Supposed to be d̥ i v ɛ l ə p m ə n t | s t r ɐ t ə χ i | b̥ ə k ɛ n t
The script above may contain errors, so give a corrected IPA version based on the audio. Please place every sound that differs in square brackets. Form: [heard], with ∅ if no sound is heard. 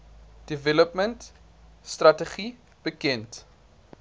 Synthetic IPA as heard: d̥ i v ɛ l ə p m ə n t | s t r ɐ t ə χ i | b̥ ə k ɛ n t